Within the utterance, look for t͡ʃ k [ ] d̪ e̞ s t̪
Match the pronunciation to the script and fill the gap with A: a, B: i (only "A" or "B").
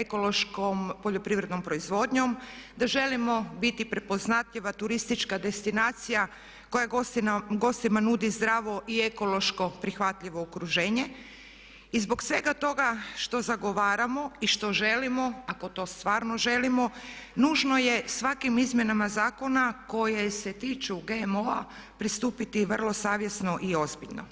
A